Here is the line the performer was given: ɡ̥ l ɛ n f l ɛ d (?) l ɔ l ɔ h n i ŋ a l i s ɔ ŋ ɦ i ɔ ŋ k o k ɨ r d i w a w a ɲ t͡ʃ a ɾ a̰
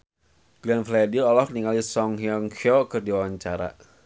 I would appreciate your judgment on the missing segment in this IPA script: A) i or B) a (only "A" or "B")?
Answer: A